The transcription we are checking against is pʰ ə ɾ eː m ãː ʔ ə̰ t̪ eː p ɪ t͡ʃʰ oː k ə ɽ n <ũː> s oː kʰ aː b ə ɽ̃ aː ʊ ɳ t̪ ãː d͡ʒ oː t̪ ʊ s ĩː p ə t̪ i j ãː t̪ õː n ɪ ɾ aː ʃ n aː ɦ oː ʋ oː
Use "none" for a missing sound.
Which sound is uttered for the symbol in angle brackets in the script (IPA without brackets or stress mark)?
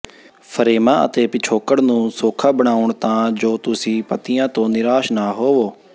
ũː